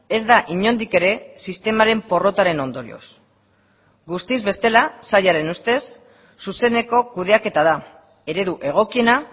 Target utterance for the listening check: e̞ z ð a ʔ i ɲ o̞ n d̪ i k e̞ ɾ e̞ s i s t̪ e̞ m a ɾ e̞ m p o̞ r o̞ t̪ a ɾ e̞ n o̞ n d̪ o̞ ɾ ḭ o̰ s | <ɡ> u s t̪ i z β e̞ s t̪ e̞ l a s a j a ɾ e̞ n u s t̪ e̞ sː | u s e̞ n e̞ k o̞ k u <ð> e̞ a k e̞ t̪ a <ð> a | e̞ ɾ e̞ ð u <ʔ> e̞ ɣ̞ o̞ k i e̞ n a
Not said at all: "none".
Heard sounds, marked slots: ɡ, ð, ð, ʔ

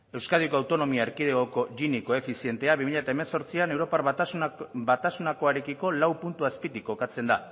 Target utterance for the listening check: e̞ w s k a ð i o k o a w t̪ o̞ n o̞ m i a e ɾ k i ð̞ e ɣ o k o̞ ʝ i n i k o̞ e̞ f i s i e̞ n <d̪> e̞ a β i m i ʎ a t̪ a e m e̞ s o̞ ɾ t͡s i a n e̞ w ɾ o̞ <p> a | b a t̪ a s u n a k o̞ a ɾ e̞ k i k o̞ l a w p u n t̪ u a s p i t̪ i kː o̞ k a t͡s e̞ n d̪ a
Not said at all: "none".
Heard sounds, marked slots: t̪, p

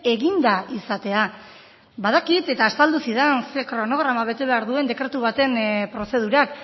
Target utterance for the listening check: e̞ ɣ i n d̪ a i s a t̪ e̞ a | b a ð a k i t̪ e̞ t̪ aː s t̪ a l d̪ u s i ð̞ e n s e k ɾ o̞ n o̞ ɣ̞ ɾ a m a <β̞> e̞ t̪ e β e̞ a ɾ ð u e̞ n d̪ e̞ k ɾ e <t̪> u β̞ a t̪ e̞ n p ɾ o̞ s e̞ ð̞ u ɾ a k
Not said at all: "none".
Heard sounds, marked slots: β̞, t̪

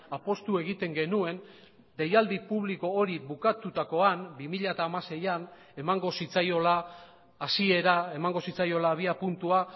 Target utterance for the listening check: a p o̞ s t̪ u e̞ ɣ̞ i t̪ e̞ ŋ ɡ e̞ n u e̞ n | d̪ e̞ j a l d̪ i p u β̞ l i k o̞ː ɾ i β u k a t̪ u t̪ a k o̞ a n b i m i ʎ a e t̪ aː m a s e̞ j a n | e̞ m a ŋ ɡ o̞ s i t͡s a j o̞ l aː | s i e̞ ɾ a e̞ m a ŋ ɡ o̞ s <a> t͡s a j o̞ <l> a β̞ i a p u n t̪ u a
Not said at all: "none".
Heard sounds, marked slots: i, l

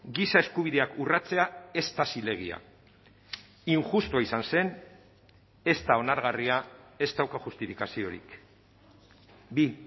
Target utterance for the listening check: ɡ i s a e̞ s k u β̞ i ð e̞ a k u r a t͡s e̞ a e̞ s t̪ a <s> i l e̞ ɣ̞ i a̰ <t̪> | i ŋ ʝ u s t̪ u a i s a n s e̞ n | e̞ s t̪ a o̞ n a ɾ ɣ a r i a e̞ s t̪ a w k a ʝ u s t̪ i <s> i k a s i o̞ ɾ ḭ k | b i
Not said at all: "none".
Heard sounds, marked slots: s, none, f

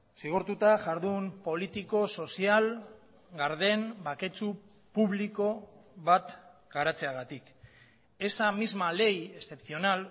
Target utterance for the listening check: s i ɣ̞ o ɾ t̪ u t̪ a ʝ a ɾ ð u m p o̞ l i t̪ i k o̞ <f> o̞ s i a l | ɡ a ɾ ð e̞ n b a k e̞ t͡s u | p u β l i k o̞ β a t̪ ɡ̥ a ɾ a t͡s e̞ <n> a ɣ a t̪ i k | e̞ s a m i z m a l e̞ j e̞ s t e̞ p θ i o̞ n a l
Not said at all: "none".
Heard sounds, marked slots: s, none

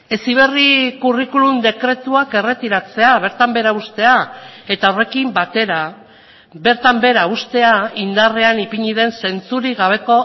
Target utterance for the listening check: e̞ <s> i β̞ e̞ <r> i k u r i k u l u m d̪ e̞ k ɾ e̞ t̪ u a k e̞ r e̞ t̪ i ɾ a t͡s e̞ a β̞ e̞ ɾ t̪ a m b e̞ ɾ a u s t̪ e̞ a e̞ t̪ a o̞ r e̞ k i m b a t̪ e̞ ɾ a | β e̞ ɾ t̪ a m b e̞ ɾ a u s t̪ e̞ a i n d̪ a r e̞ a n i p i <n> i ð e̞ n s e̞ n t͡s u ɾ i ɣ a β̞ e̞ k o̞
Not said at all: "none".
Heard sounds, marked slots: s, r, ɲ

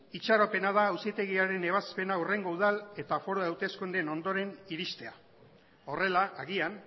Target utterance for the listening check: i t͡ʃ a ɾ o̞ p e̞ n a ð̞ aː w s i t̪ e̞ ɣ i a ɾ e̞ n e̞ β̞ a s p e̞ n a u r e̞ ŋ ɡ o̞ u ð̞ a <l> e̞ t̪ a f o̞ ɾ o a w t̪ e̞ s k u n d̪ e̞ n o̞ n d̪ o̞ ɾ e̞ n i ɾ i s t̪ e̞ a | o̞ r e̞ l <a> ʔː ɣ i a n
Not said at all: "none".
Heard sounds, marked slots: l, a

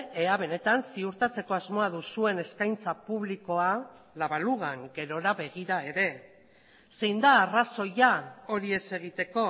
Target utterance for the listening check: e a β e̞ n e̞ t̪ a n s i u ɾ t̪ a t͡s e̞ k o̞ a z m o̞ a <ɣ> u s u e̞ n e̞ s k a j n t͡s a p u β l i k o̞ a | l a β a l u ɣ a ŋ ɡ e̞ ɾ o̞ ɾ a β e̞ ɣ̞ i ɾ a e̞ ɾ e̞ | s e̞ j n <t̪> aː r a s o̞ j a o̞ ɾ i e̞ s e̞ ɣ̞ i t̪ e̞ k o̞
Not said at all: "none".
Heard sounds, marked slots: ð, d̪

